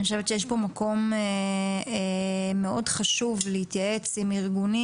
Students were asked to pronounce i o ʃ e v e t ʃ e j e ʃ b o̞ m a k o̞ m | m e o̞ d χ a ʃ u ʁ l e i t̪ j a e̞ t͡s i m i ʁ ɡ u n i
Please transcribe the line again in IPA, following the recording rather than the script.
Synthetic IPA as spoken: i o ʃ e v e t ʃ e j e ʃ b o̞ m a k o̞ m | m e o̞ d χ a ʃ u v l e i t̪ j a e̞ t͡s i m i ʁ ɡ u n i

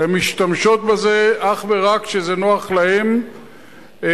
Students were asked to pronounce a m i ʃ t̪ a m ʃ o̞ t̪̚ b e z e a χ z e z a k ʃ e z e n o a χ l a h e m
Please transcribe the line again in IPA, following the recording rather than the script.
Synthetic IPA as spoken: e m i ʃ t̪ a m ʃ o̞ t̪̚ b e z e a χ v e ʁ a k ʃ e z e n o a χ l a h e m

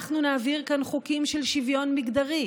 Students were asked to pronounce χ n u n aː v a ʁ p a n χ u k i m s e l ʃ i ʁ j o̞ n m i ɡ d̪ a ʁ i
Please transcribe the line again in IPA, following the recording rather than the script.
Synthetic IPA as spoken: χ n u n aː v i ʁ k a n χ u k i m ʃ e l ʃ i v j o̞ n m i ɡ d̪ a ʁ i

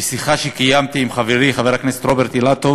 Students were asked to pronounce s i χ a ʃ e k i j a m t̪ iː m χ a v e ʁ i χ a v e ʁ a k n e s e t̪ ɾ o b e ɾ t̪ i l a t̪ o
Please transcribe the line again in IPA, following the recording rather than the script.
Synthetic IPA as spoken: s i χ a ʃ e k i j a m t̪ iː m χ a v e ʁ i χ a v e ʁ a k n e s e t̪ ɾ o b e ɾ t̪ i l a t̪ o

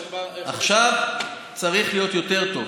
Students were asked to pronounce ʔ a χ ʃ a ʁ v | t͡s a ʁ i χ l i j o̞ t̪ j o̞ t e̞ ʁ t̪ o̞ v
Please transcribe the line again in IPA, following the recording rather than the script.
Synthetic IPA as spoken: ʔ a χ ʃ a v | t͡s a ʁ i χ l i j o̞ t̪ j o̞ t e̞ ʁ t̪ o̞ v

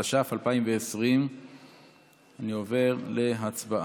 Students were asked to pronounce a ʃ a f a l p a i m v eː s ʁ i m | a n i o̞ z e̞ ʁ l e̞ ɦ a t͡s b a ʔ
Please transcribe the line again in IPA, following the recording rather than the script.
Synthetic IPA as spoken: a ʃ a f a l p a i m v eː s ʁ i m | a n i o̞ v e̞ ʁ l e̞ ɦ a t͡s b a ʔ

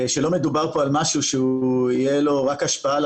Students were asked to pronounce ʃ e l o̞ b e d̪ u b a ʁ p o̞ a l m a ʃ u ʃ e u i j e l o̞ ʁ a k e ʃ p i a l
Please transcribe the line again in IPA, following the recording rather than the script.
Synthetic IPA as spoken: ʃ e l o̞ m e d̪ u b a ʁ p o̞ a l m a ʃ u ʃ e u i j e l o̞ ʁ a k a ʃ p a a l

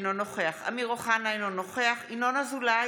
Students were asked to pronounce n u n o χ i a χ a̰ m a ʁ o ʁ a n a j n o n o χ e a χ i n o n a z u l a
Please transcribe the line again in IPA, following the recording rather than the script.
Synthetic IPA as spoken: n o n o χ e a χ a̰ m i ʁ o χ a n a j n o n o χ e a χ i n o n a z u l a

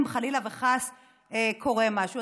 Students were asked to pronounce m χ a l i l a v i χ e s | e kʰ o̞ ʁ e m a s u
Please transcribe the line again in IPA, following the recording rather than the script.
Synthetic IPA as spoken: m χ a l i l a v e χ a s | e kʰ o̞ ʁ e m a ʃ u

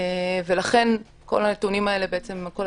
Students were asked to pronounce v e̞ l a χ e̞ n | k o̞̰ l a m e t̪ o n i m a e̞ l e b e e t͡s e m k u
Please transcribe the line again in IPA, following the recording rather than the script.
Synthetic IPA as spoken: v e̞ l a χ e̞ n | k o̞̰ l a n e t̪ u n i m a e̞ l e b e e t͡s e m k o

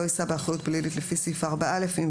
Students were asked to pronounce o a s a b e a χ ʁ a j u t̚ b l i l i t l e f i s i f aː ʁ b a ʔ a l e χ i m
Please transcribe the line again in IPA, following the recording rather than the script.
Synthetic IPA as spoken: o i s a b e a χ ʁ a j u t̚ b l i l i t l e f i s i f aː ʁ b a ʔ a l e f i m

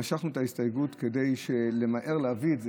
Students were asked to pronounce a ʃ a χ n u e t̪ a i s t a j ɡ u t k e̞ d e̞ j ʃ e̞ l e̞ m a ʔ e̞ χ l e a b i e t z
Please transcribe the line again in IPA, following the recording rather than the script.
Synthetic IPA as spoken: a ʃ a χ n u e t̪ a i s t a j ɡ u t k e̞ d e̞ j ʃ e̞ l e̞ m a ʔ e̞ ʁ l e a v i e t z

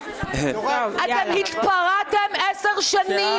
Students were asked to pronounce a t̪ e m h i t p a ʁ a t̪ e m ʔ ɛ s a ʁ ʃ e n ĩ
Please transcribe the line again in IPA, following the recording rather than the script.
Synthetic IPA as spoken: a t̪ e m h i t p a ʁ a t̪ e m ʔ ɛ s e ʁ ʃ a n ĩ

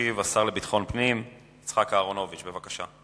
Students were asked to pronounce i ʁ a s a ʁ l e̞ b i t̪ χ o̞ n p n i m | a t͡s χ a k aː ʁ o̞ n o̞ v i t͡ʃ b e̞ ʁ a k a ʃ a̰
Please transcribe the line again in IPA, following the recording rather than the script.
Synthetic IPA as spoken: i v a s a ʁ l e̞ b i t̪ χ o̞ n p n i m | i t͡s χ a k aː ʁ o̞ n o̞ v i t͡ʃ b e̞ v a k a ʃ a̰

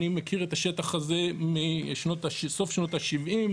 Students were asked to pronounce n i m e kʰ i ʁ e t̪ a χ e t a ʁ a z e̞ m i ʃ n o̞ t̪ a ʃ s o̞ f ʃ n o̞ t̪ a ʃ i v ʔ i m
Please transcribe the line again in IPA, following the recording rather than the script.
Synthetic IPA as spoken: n i m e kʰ i ʁ e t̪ a ʃ e t a χ a z e̞ m i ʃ n o̞ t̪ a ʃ s o̞ f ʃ n o̞ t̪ a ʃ i v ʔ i m

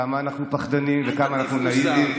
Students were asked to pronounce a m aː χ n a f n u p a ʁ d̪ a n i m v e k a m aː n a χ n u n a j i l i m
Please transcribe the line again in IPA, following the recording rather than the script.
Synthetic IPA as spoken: a m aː n a χ n u p a χ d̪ a n i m v e k a m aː n a χ n u n a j i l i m

